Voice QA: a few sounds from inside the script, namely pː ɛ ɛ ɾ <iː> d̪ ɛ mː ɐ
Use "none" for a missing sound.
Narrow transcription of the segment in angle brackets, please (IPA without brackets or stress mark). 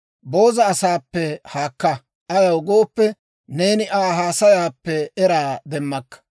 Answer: aː